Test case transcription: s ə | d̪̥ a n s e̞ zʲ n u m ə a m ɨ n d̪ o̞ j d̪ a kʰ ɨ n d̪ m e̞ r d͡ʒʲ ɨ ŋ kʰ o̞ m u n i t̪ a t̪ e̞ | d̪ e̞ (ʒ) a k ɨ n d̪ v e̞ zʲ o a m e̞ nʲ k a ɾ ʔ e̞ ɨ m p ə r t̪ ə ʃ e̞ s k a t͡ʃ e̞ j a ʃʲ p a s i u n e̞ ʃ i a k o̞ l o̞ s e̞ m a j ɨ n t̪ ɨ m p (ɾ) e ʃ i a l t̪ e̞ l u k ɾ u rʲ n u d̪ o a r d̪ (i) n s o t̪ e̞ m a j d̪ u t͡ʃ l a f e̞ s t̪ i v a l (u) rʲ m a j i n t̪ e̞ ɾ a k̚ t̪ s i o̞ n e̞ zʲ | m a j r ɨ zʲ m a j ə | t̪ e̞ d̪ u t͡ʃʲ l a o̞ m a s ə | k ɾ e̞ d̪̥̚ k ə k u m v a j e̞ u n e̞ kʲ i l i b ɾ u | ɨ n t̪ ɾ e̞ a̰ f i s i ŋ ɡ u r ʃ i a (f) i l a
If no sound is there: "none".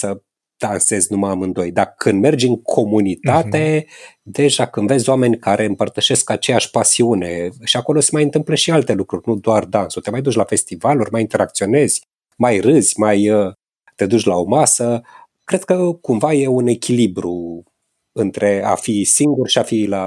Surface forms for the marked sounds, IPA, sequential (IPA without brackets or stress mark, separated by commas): ʒ, l, a, u, f